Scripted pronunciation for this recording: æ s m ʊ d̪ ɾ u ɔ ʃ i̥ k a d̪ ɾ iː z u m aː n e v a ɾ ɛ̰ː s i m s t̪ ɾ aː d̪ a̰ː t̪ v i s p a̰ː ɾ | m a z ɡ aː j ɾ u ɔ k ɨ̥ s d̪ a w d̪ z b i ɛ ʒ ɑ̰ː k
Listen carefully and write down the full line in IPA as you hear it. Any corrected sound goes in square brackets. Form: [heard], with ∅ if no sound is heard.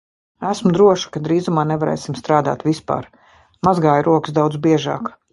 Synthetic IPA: æ s m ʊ d̪ ɾ u ɔ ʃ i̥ k a d̪ ɾ iː z u m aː n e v a ɾ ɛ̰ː s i m s t̪ ɾ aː d̪ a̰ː t̪ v i s p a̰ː ɾ | m a z ɡ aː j ɾ u ɔ k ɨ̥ s d̪ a w d̪ z b i ɛ ʒ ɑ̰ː k